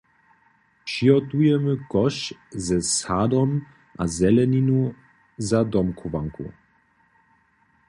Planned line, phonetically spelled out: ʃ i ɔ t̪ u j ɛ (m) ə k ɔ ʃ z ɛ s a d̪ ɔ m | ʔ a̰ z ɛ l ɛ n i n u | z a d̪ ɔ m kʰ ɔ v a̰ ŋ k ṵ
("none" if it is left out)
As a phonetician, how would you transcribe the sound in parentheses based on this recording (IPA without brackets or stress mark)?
m